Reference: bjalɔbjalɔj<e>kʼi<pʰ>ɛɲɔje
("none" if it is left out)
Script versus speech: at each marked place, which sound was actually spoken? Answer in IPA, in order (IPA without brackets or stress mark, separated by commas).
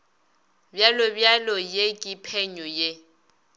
e, pʰ